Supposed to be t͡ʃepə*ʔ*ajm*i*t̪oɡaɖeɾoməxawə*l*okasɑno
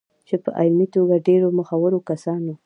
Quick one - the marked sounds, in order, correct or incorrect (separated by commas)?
correct, correct, incorrect